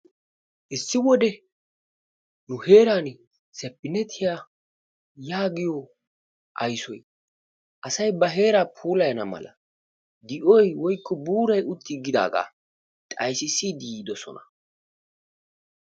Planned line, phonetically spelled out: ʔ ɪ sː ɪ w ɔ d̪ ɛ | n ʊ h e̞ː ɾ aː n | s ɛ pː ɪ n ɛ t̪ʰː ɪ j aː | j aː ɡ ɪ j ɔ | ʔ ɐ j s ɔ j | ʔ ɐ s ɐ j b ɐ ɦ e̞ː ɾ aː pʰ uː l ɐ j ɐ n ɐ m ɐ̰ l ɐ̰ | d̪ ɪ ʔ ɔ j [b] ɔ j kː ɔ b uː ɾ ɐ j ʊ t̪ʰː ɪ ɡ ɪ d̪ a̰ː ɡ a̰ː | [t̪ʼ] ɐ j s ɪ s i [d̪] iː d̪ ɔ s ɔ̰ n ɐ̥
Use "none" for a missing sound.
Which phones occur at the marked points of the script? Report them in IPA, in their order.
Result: w, t̪ʼ, d̪

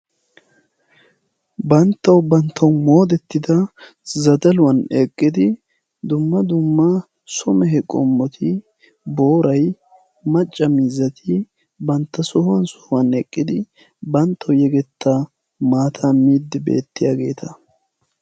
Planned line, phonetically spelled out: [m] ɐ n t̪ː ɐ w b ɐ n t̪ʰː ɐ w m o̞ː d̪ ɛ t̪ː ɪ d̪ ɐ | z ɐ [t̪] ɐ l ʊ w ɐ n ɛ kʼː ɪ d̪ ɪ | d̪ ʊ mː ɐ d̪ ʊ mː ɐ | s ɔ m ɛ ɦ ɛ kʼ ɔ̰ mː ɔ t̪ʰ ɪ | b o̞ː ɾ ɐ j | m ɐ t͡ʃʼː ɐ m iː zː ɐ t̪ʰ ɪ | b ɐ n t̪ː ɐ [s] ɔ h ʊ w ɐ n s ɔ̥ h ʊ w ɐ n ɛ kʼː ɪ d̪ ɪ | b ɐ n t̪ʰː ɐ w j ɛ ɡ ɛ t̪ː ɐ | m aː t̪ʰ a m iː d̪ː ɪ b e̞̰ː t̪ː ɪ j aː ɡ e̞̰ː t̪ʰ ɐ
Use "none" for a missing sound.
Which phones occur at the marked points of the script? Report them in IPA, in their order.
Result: b, d̪, s

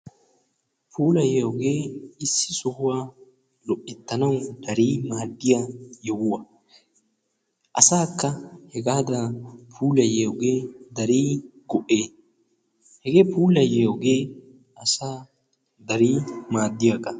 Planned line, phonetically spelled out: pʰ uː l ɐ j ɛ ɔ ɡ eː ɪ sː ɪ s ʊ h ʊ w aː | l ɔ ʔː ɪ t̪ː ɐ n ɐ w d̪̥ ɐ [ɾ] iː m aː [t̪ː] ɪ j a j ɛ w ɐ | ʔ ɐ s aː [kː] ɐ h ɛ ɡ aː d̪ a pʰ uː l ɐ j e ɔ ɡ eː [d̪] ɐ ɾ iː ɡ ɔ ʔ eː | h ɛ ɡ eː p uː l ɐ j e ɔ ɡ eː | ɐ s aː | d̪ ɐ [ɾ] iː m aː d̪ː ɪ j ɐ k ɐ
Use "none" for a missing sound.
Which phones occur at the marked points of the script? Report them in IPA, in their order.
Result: ɾ, d̪ː, kː, d̪, ɾ

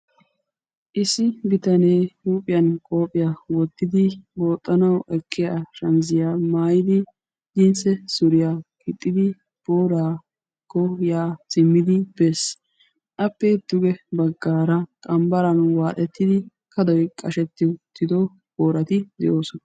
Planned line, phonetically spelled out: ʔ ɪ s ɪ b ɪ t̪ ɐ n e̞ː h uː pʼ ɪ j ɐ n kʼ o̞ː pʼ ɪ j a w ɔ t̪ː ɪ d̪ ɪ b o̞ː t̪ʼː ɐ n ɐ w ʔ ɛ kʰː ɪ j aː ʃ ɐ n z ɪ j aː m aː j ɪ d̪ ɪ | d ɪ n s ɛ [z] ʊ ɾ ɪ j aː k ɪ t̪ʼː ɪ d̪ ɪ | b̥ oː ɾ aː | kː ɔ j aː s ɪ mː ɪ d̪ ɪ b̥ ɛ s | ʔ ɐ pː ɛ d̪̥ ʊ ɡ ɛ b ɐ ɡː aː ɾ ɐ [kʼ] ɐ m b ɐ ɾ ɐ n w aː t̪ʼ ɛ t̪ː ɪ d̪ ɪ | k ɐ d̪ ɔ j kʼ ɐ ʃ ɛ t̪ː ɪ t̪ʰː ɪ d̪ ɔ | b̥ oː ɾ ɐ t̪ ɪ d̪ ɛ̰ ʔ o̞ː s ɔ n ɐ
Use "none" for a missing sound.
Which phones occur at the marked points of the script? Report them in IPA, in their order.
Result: s, kʼ

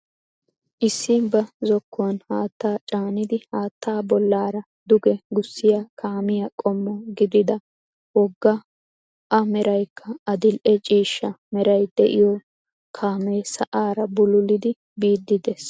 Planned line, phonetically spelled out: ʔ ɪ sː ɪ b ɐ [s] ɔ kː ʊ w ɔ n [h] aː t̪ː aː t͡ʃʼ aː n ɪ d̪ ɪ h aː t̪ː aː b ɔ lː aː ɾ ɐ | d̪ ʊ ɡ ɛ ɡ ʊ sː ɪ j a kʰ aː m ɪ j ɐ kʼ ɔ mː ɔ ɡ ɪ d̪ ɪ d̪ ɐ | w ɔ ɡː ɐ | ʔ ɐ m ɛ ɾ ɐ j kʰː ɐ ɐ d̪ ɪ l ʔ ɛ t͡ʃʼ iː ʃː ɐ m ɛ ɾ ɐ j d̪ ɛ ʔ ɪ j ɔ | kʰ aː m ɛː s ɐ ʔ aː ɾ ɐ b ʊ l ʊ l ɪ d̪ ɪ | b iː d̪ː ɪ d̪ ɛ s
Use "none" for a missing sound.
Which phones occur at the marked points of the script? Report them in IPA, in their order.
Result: z, h

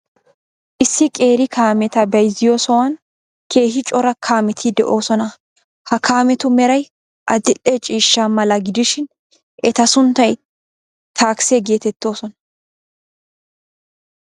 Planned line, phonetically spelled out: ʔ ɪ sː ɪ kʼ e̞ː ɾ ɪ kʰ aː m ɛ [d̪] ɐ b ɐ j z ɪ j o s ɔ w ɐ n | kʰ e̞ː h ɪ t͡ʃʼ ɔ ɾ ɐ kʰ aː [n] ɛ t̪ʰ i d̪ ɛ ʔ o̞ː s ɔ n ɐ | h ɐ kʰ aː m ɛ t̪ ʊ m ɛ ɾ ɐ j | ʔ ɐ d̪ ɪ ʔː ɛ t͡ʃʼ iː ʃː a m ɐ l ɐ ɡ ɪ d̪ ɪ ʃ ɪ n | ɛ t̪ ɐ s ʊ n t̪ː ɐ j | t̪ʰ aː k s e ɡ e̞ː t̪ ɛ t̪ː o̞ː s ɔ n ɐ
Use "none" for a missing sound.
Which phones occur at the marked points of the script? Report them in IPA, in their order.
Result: t̪, m

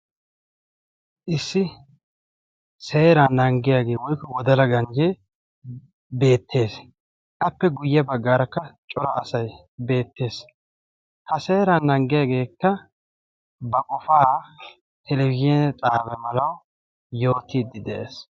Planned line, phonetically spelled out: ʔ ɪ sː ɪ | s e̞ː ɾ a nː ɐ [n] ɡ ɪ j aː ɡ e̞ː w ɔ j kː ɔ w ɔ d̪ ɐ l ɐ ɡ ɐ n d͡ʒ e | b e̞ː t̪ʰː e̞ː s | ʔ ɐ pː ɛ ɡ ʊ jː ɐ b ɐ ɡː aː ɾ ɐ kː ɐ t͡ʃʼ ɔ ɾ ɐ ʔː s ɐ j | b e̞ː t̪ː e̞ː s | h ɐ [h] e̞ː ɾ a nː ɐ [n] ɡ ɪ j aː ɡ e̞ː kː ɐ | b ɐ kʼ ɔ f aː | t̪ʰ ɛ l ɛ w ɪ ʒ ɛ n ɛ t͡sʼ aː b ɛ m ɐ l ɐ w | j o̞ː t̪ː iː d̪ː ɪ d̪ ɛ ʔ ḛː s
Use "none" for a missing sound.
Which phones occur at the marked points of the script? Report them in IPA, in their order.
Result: ŋ, s, ŋ

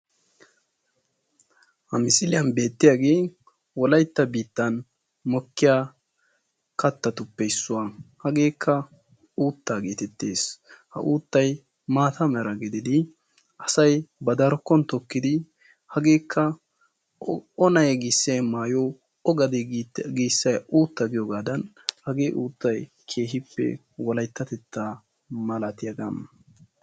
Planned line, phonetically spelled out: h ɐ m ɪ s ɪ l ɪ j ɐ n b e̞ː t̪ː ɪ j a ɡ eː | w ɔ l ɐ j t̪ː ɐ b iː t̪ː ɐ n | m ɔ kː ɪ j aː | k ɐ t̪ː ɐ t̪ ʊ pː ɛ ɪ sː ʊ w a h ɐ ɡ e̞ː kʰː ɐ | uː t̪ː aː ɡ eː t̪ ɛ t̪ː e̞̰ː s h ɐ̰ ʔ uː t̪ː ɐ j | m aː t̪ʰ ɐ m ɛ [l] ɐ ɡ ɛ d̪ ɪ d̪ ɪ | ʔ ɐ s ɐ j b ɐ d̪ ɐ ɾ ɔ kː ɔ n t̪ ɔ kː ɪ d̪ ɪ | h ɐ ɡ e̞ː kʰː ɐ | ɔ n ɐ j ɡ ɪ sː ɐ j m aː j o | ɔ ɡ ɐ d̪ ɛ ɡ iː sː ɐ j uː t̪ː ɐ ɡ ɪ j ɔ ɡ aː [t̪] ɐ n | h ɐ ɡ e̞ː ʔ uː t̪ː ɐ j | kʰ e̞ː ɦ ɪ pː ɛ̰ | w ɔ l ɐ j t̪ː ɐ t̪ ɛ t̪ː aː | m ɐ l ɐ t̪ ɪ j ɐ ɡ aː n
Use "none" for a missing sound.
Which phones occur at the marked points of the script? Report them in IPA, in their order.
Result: ɾ, d̪

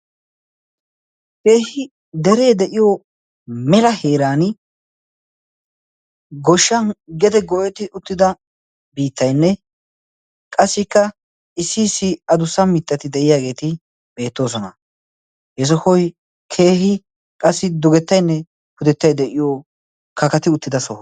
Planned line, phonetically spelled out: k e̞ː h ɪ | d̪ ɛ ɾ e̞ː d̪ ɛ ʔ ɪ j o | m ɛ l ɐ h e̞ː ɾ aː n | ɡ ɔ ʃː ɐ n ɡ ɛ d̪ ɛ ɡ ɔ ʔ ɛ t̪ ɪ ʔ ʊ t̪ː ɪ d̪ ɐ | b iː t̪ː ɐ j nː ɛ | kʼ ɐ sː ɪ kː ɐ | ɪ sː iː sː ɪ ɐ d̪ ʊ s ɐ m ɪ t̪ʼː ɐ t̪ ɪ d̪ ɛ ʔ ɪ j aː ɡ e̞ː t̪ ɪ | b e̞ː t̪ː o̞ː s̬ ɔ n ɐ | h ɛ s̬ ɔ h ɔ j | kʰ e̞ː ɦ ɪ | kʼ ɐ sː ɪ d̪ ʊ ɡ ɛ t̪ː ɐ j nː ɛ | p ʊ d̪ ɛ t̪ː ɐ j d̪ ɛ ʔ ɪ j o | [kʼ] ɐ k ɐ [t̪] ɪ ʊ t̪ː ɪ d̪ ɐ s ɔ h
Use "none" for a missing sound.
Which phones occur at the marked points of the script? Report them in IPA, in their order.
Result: k, t̪

